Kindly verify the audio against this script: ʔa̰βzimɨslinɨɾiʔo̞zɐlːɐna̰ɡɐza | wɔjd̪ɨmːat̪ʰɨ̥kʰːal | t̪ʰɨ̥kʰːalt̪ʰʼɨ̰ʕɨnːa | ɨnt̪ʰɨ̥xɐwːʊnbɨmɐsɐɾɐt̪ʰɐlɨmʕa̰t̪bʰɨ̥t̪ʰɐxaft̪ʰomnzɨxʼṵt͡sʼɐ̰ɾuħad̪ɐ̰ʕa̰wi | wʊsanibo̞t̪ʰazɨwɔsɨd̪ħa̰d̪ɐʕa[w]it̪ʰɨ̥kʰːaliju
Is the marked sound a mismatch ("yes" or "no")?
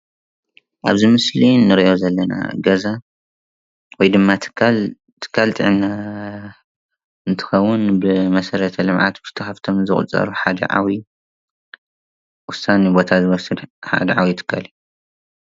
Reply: no